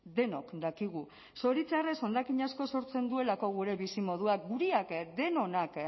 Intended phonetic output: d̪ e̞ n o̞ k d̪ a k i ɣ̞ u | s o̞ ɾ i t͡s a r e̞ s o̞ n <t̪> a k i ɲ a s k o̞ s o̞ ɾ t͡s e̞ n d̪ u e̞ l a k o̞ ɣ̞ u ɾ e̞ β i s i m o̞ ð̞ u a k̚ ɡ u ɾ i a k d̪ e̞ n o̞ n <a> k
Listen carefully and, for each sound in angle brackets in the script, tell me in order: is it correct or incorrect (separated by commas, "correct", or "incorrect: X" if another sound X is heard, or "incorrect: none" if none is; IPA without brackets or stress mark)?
incorrect: d̪, correct